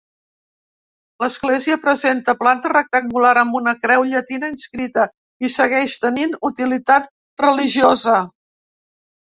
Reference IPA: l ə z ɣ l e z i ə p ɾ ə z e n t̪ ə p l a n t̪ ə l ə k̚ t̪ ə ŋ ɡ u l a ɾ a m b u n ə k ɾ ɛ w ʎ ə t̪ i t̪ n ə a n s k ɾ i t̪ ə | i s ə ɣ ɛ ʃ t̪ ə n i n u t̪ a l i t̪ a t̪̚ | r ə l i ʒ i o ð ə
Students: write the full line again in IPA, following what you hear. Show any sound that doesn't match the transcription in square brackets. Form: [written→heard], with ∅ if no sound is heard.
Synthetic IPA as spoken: l ə z ɣ l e z i ə p ɾ ə z e n t̪ ə p l a n t̪ ə [l→r] ə k̚ t̪ ə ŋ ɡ u l a ɾ [a→ə] m b u n ə k ɾ ɛ w ʎ ə t̪ i [t̪→∅] n ə [a→i] n s k ɾ i t̪ ə | i s ə ɣ ɛ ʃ t̪ ə n i n u t̪ [a→i] l i t̪ a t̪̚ | r ə l i ʒ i o [ð→z] ə